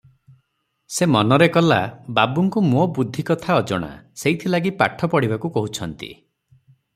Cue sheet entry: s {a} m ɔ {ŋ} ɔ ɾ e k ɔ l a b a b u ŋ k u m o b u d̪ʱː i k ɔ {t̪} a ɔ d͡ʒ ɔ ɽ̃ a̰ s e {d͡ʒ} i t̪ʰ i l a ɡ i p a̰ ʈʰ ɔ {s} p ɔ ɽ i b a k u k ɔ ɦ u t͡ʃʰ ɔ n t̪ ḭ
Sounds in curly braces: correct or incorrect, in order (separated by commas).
incorrect, incorrect, incorrect, incorrect, incorrect